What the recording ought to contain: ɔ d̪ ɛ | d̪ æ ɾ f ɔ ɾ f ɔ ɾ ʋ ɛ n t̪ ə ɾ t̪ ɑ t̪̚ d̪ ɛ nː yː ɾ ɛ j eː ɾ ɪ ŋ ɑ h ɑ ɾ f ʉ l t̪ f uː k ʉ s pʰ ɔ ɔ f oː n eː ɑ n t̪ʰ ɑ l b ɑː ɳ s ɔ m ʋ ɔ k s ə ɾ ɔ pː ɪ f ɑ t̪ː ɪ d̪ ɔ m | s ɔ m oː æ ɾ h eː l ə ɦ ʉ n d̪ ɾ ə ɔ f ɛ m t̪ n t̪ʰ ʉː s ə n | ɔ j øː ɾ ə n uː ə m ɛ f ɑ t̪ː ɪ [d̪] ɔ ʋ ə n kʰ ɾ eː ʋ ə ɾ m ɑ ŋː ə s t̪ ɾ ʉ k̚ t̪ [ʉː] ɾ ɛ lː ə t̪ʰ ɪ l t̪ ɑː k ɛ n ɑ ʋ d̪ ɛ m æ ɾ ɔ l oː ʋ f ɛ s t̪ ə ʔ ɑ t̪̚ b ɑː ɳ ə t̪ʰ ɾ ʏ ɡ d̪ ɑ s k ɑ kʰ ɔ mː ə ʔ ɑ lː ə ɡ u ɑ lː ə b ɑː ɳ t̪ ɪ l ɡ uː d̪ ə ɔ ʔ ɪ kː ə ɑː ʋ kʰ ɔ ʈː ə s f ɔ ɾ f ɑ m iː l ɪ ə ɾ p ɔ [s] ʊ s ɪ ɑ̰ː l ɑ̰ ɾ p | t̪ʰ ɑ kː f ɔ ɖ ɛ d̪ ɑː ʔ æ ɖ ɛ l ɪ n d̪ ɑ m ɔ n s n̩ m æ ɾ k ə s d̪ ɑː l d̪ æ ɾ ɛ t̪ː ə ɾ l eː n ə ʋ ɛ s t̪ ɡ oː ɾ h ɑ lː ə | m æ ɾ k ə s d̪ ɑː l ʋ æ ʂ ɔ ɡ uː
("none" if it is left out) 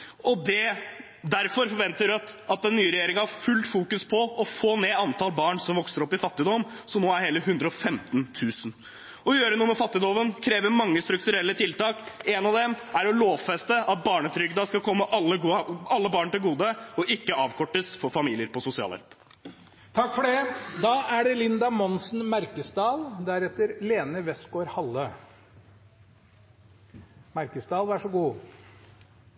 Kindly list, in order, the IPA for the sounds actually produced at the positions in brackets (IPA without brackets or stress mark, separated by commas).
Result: d̪, ʉ, s